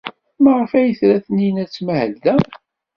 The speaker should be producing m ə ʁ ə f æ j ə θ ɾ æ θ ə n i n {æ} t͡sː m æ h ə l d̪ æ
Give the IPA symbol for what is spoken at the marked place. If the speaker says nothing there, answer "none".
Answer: æ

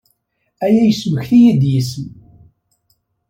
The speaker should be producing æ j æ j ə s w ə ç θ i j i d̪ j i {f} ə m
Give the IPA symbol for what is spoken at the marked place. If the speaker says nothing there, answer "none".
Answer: s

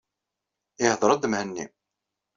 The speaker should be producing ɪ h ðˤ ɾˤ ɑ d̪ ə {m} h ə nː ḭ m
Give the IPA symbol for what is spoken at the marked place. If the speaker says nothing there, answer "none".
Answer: m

